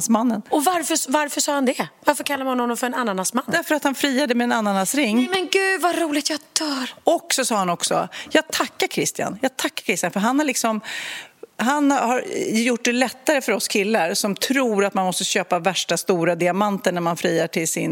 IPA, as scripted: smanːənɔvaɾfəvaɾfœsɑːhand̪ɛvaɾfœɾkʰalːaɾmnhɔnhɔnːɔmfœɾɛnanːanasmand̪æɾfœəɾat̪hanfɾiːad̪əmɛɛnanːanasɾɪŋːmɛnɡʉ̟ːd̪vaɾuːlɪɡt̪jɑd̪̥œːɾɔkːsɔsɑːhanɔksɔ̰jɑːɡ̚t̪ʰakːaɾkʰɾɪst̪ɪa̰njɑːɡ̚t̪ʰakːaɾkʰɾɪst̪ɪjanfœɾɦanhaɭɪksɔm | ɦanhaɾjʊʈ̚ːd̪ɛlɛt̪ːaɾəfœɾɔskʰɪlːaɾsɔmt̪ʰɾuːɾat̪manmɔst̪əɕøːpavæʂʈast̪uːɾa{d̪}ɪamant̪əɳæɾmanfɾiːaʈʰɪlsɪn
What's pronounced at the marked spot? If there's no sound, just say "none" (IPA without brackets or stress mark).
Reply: d̪